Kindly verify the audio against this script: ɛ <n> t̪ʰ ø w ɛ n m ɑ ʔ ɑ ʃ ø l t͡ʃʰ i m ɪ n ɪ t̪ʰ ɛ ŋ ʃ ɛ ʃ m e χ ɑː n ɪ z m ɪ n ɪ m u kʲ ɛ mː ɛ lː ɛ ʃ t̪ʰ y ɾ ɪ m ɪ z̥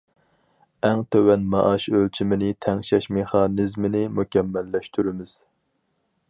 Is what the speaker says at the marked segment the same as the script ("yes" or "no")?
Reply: no